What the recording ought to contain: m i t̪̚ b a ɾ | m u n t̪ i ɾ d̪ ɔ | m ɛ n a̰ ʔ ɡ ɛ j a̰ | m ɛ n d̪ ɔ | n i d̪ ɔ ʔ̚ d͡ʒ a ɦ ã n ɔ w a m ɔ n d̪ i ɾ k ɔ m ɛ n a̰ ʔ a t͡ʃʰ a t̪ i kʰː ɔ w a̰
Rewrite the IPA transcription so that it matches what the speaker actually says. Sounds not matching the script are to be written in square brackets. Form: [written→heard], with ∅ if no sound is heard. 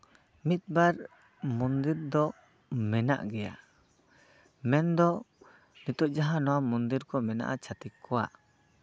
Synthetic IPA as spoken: m i t̪̚ b a ɾ | m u n [t̪→d̪] i ɾ d̪ ɔ | m ɛ n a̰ ʔ ɡ ɛ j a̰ | m ɛ n d̪ ɔ | n i [d̪→t̪] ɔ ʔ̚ d͡ʒ a ɦ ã n ɔ w a m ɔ n d̪ i ɾ k ɔ m ɛ n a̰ ʔ a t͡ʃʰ a t̪ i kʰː ɔ w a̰